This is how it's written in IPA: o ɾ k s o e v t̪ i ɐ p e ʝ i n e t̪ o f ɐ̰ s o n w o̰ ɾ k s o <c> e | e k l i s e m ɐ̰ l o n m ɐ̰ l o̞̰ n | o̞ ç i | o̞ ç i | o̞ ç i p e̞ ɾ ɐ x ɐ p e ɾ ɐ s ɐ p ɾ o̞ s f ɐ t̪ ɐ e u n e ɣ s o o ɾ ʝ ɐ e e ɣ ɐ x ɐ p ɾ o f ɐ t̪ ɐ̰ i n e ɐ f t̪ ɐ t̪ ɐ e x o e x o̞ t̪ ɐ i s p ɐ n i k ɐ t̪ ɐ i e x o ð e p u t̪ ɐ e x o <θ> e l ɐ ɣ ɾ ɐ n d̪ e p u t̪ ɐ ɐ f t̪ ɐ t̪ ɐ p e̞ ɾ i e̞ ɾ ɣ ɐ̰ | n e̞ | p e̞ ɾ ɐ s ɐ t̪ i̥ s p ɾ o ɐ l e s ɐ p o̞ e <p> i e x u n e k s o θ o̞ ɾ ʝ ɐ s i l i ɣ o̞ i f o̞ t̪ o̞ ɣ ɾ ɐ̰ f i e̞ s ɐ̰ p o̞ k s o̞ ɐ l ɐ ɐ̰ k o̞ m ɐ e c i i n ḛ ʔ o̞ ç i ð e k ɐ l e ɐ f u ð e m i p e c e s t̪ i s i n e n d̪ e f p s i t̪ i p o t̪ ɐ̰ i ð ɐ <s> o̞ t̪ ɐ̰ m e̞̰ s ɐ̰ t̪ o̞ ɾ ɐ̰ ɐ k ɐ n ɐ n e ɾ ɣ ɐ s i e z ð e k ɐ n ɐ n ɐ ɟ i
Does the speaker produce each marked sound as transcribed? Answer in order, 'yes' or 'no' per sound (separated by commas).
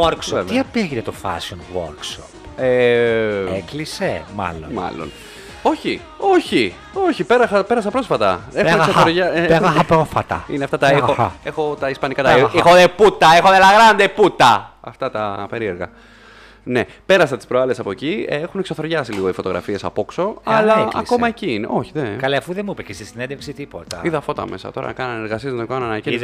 no, no, no, no